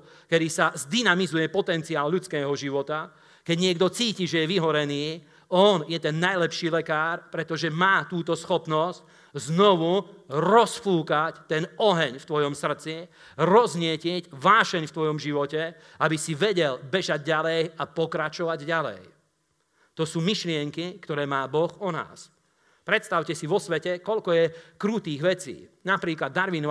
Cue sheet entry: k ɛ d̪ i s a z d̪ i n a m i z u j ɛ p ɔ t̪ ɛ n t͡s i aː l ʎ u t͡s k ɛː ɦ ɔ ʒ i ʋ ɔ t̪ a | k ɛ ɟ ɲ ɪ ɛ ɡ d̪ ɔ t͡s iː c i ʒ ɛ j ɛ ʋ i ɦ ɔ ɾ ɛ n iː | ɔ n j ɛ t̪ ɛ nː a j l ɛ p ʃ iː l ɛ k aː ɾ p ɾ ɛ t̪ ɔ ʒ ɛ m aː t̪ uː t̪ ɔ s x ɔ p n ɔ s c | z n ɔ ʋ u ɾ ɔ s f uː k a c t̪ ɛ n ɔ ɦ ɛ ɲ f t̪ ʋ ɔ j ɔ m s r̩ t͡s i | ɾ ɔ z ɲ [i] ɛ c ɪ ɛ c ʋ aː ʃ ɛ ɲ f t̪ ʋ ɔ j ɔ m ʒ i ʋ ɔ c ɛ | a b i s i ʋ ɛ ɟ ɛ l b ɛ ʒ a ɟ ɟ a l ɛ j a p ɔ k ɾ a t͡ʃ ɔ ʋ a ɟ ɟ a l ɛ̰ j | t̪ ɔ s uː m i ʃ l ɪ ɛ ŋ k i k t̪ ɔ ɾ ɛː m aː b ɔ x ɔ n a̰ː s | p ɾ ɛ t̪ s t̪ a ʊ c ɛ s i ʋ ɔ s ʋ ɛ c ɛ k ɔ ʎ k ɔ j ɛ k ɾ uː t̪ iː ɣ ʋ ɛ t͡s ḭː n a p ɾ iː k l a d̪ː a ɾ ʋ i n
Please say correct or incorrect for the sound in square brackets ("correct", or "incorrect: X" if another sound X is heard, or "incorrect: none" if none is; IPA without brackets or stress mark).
incorrect: ɪ